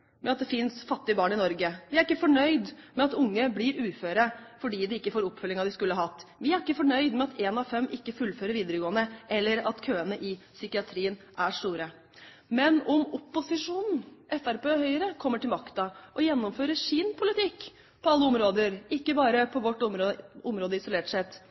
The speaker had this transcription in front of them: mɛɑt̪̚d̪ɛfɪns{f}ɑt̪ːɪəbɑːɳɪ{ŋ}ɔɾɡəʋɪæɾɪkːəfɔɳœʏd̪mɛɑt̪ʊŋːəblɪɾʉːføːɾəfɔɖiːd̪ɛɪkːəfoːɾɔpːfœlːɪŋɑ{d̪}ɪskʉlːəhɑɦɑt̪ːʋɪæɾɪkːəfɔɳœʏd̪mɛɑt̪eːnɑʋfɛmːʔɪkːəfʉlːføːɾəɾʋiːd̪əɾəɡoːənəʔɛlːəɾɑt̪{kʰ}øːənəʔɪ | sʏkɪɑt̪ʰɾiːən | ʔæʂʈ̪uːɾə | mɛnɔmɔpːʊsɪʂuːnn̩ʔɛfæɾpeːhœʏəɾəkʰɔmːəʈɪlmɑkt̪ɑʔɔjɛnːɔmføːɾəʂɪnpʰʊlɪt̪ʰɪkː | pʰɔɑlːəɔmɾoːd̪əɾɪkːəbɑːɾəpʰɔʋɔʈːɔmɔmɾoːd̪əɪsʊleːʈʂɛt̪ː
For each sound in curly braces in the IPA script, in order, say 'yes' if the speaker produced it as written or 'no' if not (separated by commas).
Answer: yes, no, yes, yes